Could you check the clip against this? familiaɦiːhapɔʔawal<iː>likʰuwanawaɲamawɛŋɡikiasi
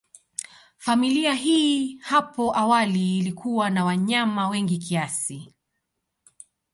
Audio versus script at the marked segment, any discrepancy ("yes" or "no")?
no